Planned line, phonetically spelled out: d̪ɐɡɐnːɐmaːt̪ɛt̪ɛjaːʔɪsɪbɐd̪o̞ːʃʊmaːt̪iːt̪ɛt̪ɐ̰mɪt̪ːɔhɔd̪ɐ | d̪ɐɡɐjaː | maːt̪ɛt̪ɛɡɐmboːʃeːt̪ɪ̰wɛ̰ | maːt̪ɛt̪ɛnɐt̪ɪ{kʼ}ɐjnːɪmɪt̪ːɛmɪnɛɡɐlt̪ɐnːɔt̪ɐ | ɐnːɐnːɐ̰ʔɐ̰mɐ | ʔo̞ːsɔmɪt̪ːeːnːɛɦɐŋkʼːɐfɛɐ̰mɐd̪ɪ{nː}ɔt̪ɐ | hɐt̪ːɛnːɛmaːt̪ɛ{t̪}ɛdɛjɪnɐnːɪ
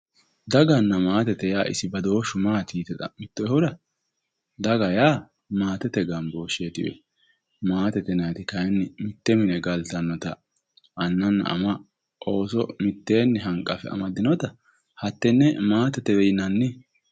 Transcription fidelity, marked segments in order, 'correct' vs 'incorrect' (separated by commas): incorrect, incorrect, correct